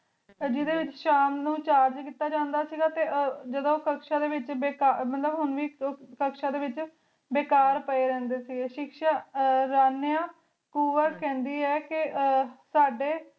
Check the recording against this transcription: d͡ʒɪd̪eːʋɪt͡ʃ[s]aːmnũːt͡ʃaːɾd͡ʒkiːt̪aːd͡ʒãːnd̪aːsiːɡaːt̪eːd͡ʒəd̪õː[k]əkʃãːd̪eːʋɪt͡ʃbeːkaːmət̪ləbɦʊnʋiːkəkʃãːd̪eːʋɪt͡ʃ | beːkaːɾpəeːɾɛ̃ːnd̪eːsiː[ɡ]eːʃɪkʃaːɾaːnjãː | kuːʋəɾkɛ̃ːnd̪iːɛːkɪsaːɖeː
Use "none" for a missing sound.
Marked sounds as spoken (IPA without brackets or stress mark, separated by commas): ʃ, k, ɡ